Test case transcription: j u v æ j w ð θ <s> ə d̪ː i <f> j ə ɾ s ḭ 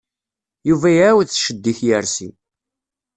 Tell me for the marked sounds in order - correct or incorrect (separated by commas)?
incorrect, incorrect